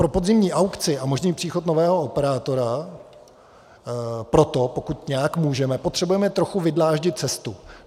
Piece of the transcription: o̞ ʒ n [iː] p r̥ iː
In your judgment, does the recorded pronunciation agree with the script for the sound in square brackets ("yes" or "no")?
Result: yes